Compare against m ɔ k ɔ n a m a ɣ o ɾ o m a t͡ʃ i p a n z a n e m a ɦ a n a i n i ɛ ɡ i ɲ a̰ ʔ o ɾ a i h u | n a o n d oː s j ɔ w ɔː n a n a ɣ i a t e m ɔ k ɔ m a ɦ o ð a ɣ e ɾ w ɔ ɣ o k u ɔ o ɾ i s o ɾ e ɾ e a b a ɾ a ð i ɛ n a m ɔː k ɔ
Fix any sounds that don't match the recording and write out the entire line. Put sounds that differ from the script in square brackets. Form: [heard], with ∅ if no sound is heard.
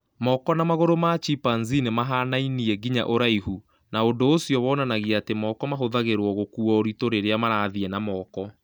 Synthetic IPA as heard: m ɔ k ɔ n a m a ɣ o ɾ o m a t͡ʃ i p a n z [i] n e m a ɦ a n a i n i ɛ ɡ i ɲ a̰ ʔ o ɾ a i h u | n a o n d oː s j ɔ w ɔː n a n a ɣ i a t e m ɔ k ɔ m a ɦ o ð a ɣ e ɾ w ɔ ɣ o k u ɔ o ɾ i [t] o ɾ e ɾ e a [m] a ɾ a ð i ɛ n a m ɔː k ɔ